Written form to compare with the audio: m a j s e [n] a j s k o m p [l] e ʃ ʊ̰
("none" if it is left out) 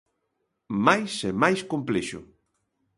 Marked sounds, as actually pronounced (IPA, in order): m, l

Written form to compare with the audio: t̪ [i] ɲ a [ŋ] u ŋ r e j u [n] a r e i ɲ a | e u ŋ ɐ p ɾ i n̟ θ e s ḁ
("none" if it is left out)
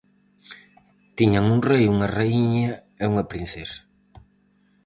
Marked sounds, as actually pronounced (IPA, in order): i, ŋ, ŋ

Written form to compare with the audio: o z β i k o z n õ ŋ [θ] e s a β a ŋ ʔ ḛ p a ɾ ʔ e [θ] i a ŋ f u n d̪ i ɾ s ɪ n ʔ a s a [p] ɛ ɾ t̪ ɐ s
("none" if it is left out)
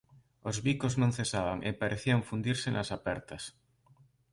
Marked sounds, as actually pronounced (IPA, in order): θ, θ, p

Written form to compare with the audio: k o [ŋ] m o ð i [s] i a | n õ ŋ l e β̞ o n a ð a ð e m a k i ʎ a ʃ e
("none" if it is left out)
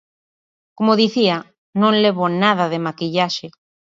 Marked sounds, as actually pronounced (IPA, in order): none, θ

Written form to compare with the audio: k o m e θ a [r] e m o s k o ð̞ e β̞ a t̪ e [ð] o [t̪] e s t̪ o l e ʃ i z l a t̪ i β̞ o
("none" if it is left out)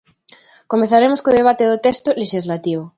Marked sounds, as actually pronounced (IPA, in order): ɾ, ð, t̪

